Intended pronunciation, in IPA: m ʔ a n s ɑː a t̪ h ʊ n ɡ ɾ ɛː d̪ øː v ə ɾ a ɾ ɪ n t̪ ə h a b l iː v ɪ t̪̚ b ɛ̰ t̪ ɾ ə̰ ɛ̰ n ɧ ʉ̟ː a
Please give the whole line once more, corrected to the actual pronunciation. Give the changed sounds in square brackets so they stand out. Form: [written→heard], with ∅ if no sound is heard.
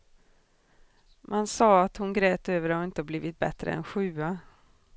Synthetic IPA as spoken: m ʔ a n s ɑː a t̪ h ʊ n ɡ ɾ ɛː [d̪→t̪] øː v ə ɾ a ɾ ɪ n t̪ ə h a b l iː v ɪ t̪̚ b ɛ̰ t̪ ɾ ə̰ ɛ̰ n ɧ ʉ̟ː a